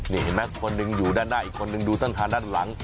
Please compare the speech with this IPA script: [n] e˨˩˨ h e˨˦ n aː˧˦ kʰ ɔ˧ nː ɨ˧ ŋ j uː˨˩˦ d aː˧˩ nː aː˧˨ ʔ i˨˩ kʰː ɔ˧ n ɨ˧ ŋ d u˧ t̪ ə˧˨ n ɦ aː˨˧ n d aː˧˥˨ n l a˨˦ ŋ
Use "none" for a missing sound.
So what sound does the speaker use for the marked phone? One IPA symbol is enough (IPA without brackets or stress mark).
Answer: n